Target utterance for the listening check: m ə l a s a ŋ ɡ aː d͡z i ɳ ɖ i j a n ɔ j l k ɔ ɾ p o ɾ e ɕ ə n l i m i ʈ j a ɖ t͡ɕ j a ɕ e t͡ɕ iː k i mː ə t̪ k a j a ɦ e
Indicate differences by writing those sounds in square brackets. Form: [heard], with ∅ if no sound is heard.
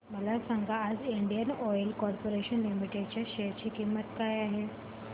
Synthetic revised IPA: m ə l a s a ŋ ɡ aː d͡z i ɳ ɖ i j [ə] n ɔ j l k ɔ ɾ p o ɾ e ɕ ə n l i m i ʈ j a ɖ t͡ɕ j a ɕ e t͡ɕ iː k i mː ə t̪ k a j a ɦ e

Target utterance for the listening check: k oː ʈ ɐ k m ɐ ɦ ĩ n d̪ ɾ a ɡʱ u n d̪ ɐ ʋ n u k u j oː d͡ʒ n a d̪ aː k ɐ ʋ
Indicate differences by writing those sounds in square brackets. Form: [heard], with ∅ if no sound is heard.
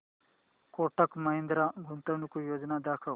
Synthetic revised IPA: k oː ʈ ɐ k m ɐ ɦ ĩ n d̪ ɾ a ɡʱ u n [t̪] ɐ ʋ n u k u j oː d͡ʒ n a d̪ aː [kʰ] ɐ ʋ

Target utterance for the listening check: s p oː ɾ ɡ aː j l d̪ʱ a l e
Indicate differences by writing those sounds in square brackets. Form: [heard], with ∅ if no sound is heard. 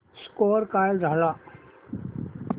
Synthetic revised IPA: s [k] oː ɾ [k] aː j l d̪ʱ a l [a]

